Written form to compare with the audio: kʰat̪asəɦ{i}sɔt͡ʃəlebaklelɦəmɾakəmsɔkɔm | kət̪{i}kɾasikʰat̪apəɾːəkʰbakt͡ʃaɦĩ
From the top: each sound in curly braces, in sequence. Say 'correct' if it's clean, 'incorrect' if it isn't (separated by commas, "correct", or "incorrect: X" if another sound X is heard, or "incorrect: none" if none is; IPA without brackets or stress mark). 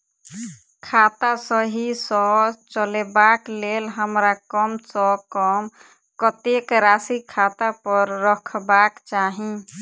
correct, incorrect: e